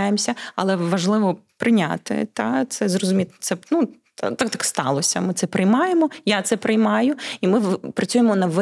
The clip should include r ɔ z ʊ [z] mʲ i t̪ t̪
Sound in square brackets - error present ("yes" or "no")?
yes